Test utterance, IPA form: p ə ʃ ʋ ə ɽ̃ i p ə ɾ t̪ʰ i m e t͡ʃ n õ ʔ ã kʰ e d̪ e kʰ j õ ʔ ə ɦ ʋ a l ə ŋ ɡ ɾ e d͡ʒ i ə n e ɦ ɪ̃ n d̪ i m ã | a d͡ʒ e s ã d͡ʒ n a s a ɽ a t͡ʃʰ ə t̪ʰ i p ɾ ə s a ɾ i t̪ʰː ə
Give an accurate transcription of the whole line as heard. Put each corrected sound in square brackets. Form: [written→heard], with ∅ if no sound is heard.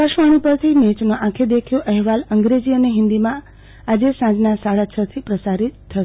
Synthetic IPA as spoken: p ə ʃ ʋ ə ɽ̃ i p ə ɾ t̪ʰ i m e t͡ʃ n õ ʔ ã kʰ e d̪ e kʰ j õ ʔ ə ɦ ʋ a l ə ŋ ɡ ɾ e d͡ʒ i ə n e ɦ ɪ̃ n d̪ i m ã | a d͡ʒ e s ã d͡ʒ n a s a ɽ a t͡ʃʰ ə t̪ʰ i p ɾ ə s a ɾ i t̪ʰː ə